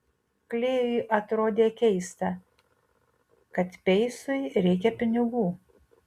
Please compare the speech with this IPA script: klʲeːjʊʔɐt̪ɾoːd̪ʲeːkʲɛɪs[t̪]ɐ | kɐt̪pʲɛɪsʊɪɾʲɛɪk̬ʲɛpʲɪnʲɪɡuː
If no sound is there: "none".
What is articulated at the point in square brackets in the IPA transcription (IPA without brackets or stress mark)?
t̪